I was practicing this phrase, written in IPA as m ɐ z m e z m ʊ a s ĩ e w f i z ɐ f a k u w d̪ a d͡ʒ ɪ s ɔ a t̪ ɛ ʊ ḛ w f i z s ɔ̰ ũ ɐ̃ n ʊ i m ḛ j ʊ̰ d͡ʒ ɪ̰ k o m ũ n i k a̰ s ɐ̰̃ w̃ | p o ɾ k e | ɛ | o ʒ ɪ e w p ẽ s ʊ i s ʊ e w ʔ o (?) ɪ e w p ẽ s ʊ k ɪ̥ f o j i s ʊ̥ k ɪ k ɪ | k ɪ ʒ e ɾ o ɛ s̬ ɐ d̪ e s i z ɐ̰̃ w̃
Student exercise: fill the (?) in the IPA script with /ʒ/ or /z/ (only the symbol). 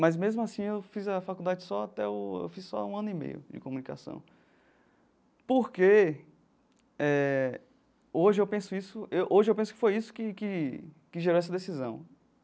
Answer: ʒ